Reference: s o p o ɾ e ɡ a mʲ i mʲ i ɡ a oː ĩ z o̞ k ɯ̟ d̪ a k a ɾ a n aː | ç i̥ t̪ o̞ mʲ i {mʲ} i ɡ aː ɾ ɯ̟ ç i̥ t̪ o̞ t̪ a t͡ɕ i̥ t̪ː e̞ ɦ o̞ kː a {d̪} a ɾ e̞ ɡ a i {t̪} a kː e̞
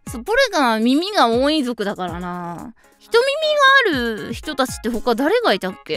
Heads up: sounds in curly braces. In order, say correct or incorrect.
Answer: correct, correct, correct

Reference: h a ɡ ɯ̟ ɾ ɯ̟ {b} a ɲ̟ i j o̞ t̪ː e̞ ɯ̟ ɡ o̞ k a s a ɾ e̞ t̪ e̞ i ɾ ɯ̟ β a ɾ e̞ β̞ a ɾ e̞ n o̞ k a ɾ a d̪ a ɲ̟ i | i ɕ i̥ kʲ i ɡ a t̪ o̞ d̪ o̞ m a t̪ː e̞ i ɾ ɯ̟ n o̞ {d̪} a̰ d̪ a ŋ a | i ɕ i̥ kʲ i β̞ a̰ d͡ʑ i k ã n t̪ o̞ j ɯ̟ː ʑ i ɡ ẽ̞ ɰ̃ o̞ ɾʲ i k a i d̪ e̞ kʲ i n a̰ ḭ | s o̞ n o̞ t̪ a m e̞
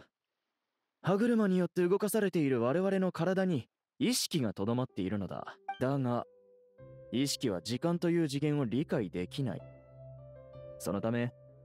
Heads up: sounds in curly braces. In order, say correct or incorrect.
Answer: incorrect: m, correct

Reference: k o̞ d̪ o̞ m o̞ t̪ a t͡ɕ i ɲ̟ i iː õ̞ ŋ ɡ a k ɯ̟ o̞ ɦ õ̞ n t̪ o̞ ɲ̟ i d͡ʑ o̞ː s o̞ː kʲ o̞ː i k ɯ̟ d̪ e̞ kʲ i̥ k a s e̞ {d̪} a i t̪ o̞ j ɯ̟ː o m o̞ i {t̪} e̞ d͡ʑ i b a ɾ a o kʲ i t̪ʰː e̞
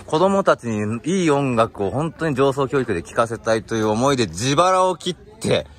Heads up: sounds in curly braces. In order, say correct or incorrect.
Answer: incorrect: t̪, incorrect: d̪

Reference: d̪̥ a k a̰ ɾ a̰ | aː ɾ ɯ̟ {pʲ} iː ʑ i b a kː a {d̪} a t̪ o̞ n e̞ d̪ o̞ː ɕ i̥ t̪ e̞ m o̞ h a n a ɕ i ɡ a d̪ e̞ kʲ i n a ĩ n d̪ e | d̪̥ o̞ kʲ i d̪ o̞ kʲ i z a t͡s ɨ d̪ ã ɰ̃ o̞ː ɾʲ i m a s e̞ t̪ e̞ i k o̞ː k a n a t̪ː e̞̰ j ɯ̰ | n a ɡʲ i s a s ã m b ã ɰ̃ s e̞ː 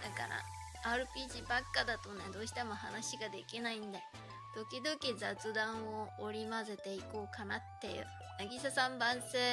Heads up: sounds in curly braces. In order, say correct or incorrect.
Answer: correct, correct

